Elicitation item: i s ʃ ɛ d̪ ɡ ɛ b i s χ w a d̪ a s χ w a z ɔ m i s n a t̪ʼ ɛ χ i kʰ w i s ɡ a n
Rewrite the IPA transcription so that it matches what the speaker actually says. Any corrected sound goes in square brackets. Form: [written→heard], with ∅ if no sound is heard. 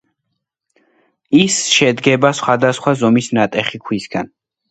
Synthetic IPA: i s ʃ ɛ d̪ ɡ ɛ b [i→a] s χ w a d̪ a s χ w a z ɔ m i s n a t̪ʼ ɛ χ i kʰ w i s ɡ a n